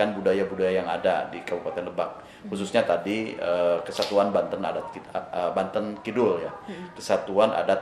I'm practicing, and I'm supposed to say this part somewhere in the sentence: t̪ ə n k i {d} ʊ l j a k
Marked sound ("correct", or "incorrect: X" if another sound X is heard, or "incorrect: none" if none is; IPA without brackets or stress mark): correct